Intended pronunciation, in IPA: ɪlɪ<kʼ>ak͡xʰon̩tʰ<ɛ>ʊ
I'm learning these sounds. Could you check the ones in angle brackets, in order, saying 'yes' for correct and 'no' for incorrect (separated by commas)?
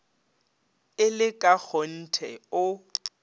yes, yes